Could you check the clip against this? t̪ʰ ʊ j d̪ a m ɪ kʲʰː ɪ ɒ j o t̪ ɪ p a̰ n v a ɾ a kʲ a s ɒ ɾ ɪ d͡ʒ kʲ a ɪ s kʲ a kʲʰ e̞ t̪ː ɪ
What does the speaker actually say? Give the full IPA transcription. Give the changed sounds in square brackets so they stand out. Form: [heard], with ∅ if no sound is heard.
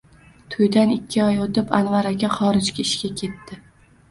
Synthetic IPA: t̪ʰ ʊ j d̪ a [n] ɪ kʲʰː ɪ ɒ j o t̪ ɪ p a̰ n v a ɾ a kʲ a [χ] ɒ ɾ ɪ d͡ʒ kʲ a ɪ [ʃ] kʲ a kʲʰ e̞ t̪ː ɪ